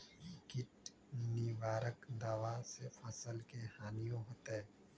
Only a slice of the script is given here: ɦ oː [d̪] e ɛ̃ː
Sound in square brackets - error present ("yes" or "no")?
yes